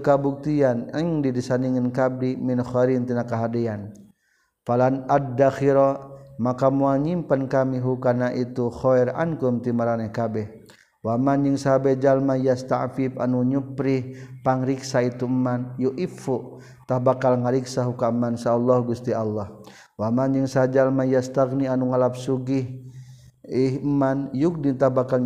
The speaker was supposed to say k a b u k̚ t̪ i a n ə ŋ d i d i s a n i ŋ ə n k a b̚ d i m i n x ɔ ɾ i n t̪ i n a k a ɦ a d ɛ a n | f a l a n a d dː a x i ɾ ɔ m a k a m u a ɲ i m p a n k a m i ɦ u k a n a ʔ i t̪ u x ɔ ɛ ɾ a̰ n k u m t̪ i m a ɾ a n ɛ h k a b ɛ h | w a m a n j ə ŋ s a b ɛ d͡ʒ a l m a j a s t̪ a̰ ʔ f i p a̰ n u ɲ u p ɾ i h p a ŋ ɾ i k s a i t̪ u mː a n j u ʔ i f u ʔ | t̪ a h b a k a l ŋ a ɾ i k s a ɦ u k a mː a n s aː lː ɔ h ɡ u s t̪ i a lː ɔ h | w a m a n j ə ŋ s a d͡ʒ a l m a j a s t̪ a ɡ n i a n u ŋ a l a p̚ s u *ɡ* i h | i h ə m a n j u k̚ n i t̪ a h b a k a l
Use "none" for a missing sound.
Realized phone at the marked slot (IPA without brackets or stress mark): ɡ